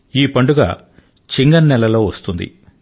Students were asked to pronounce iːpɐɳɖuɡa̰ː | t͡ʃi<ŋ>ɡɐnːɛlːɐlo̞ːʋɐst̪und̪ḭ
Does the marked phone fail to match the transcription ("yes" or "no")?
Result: no